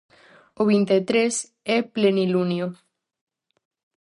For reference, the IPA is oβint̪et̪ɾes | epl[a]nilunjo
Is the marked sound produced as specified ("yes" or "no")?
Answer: no